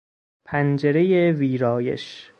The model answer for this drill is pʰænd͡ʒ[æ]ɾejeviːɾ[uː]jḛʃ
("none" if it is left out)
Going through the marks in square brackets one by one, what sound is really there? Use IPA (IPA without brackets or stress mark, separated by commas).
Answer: e, ɒː